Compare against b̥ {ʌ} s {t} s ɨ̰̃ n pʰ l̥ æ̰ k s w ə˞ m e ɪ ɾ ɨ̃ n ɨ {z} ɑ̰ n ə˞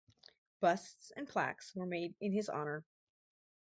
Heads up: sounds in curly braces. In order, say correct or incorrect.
correct, correct, correct

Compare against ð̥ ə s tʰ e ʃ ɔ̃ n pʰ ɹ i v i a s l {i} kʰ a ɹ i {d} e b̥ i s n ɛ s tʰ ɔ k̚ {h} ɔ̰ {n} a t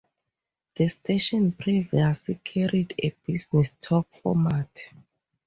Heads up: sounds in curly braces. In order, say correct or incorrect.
correct, correct, incorrect: f, incorrect: m

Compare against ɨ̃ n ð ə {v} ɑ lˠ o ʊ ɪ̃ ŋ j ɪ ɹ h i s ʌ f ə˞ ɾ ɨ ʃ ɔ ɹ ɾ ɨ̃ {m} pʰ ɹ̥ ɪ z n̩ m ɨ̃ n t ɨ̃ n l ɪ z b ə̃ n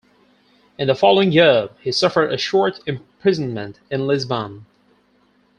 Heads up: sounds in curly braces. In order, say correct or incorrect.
incorrect: f, correct

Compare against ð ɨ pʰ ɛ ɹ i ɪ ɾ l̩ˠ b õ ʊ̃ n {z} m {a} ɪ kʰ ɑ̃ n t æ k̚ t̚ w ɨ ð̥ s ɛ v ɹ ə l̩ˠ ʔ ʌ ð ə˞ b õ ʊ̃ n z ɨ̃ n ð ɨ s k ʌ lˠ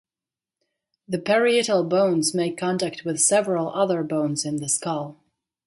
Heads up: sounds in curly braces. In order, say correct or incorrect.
correct, incorrect: e

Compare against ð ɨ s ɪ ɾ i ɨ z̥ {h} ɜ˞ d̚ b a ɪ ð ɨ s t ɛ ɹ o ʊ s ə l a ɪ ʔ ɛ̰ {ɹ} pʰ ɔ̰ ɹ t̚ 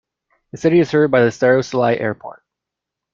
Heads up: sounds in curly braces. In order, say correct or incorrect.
correct, correct

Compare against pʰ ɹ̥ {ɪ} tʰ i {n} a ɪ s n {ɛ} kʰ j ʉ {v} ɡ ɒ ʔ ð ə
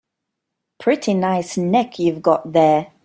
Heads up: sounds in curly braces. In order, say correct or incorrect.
correct, correct, correct, correct

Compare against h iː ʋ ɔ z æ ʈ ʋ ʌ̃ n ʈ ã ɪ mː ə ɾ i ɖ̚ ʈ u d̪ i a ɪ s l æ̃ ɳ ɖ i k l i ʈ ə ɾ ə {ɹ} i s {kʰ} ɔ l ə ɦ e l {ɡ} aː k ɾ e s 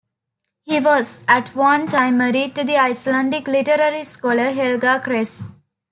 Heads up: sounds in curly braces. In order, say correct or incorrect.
incorrect: ɾ, incorrect: k, correct

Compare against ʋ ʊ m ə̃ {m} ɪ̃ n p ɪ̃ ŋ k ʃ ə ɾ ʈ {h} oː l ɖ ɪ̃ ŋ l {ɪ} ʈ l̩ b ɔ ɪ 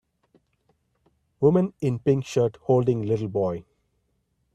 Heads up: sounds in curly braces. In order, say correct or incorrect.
incorrect: n, correct, correct

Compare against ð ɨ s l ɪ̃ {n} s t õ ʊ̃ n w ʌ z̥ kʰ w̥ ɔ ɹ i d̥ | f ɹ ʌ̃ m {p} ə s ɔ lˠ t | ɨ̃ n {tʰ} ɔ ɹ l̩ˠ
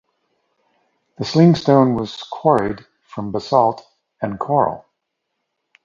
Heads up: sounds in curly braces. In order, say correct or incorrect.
incorrect: ŋ, incorrect: b, incorrect: kʰ

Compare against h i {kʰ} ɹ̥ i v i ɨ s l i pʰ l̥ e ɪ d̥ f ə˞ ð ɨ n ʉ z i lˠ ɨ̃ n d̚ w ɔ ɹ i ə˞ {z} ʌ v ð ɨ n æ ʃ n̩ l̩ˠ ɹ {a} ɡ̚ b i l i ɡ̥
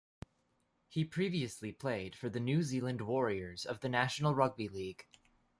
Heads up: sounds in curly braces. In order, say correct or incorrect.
incorrect: pʰ, correct, incorrect: ʌ

